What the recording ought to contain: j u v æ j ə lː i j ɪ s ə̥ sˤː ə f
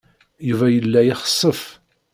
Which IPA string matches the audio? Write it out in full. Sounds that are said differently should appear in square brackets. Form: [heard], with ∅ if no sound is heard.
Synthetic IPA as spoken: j u v æ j ə lː [æ] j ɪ [χ] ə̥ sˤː ə f